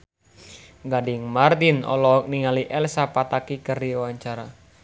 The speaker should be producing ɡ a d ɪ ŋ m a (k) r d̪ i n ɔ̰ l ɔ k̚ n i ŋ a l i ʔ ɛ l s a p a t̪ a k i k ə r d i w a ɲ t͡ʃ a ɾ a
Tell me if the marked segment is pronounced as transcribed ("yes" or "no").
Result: no